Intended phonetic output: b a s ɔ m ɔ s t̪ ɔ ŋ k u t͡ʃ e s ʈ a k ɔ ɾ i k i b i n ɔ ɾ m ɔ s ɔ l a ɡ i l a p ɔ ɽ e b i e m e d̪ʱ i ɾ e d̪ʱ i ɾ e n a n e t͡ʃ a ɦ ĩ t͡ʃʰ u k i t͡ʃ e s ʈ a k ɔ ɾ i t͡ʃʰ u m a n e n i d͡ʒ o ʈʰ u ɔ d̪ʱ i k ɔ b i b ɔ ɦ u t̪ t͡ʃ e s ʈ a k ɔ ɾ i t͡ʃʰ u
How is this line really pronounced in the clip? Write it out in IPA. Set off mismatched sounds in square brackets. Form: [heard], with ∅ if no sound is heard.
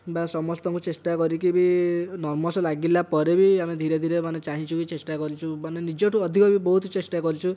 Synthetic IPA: b a s ɔ m ɔ s t̪ ɔ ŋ k u t͡ʃ e s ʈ a k ɔ ɾ i k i b i n ɔ ɾ m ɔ s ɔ l a ɡ i l a p ɔ [ɾ] e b i [a] m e d̪ʱ i ɾ e d̪ʱ i ɾ e [m] a n e t͡ʃ a ɦ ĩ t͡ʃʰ u k i t͡ʃ e s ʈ a k ɔ ɾ i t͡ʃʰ u m a n e n i d͡ʒ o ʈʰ u ɔ d̪ʱ i k ɔ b i b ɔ ɦ u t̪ t͡ʃ e s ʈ a k ɔ ɾ i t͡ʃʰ u